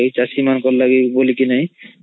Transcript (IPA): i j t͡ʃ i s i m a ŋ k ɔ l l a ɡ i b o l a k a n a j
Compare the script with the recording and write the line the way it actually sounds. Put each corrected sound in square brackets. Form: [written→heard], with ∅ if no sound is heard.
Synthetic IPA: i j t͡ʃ [i→a] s i m a [ŋ→n] k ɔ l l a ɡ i b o l [a→i] k [a→i] n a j